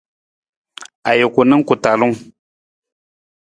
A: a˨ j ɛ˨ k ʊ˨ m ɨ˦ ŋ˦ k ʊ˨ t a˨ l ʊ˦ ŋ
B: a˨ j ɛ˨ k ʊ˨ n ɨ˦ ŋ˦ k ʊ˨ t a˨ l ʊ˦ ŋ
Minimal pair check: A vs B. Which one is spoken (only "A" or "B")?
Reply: B